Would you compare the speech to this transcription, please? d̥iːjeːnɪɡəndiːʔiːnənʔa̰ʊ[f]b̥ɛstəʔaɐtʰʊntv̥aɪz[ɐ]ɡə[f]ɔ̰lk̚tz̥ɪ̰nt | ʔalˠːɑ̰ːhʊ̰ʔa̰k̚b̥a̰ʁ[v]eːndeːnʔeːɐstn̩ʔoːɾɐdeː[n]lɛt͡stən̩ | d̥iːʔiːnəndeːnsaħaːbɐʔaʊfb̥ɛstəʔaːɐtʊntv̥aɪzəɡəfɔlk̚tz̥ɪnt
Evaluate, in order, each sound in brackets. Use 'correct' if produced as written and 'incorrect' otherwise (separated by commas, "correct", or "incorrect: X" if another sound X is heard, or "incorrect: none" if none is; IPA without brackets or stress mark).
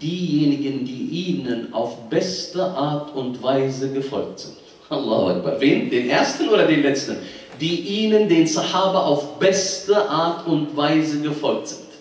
correct, incorrect: ə, correct, correct, correct